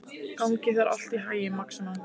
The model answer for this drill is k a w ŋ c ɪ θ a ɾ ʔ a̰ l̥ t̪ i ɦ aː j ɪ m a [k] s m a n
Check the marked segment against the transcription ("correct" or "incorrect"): correct